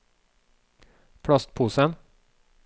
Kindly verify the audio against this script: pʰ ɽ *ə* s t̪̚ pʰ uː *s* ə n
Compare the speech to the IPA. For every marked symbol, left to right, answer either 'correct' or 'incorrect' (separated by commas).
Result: incorrect, correct